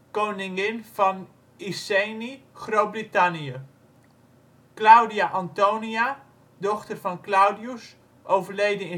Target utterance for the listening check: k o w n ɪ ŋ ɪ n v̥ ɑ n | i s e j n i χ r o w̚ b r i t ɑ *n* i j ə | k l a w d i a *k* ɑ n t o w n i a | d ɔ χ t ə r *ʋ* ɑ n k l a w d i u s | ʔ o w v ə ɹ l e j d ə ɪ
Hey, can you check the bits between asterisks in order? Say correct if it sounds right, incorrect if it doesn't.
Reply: correct, incorrect: ʔ, incorrect: v

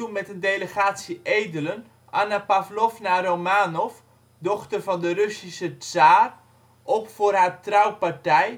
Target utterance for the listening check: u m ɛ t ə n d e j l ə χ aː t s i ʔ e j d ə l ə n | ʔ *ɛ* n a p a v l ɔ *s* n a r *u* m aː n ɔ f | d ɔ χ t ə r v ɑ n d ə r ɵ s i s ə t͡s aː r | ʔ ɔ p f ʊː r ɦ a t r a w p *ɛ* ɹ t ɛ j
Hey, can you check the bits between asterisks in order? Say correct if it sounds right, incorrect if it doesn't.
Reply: incorrect: a, incorrect: f, incorrect: o, incorrect: a

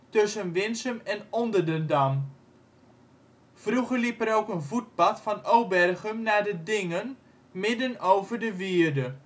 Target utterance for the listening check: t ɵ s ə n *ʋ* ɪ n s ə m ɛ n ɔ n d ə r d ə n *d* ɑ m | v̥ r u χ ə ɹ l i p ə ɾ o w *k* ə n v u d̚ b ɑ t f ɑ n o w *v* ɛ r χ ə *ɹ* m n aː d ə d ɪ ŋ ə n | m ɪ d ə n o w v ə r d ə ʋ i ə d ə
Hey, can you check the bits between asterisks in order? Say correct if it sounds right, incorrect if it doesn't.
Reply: correct, correct, correct, incorrect: b, incorrect: none

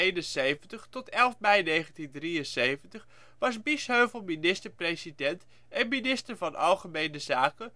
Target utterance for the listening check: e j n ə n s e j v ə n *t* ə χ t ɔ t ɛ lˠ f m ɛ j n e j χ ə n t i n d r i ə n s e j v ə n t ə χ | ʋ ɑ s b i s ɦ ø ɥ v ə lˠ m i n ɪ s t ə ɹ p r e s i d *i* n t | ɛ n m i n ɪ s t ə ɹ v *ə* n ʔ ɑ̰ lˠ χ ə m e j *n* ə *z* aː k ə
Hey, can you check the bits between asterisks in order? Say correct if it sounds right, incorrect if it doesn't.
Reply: correct, incorrect: ɛ, incorrect: ɑ, correct, correct

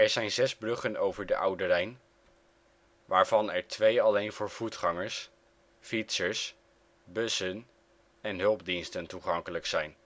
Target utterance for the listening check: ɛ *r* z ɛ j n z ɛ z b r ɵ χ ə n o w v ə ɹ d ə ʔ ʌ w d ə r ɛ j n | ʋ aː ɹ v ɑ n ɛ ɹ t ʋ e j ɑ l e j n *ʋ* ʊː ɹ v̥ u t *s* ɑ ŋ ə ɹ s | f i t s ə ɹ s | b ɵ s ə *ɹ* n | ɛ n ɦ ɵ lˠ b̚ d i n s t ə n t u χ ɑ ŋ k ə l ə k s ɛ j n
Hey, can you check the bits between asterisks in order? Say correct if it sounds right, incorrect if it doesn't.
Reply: incorrect: ɹ, incorrect: v, incorrect: χ, incorrect: none

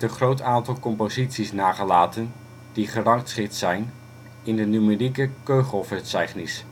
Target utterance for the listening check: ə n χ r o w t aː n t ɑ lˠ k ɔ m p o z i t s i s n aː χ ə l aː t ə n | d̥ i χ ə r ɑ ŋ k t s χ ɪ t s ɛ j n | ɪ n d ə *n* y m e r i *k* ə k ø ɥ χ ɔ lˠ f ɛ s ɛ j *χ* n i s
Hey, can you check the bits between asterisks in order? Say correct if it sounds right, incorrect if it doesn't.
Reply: correct, correct, correct

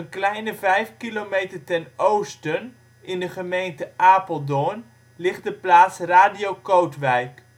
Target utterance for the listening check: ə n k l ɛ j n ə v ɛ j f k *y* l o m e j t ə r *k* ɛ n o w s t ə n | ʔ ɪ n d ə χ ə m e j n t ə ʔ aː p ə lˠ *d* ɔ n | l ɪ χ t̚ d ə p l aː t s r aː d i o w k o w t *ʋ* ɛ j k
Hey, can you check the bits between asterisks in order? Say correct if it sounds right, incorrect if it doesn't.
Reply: incorrect: i, incorrect: t, correct, correct

